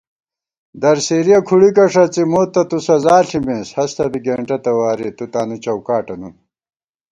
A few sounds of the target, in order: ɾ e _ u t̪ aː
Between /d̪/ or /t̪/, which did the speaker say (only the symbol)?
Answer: t̪